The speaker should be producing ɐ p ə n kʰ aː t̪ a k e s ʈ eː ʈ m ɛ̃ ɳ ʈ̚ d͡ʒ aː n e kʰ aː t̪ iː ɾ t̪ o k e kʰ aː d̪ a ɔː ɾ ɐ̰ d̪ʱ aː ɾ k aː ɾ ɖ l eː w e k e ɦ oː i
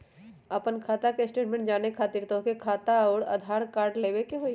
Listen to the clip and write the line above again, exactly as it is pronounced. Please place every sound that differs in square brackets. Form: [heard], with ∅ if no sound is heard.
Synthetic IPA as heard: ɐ p ə n kʰ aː t̪ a k e s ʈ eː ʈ m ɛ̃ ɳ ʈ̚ d͡ʒ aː n e kʰ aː t̪ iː ɾ t̪ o k e kʰ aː [t̪] a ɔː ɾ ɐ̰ d̪ʱ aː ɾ k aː ɾ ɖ l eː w e k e ɦ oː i